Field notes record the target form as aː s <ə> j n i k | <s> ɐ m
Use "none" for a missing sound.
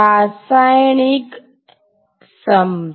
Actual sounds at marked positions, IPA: a, s

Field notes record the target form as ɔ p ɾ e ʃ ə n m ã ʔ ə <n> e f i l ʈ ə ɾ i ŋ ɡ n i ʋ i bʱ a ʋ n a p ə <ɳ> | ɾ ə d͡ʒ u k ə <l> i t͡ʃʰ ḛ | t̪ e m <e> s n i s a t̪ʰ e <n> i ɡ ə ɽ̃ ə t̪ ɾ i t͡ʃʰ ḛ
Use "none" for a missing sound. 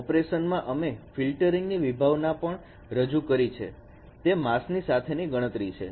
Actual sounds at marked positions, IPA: m, ɳ, ɾ, a, n

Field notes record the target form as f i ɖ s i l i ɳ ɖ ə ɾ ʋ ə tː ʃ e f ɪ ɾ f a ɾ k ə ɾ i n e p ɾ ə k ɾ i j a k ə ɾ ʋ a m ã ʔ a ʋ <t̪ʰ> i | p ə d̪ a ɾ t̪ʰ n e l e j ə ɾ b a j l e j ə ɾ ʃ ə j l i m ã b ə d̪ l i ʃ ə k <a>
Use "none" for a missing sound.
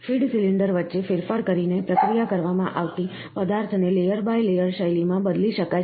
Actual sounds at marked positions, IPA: t̪, a

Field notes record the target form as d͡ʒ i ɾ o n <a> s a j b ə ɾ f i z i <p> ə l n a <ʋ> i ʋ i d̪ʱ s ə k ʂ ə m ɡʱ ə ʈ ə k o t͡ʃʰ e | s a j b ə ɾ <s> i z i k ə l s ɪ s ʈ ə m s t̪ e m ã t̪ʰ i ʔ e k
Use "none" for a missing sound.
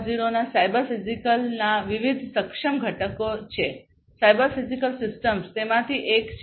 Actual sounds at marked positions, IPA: a, k, ʋ, f

